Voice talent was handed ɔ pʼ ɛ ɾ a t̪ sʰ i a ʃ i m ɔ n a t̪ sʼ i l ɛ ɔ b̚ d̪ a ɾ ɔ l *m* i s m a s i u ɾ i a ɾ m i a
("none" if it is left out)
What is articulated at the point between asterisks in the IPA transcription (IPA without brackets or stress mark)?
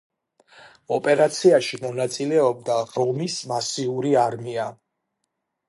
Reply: m